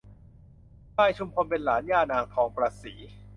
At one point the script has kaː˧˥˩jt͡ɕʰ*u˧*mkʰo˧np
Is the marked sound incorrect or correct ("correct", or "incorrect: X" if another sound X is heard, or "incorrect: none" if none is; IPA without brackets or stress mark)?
correct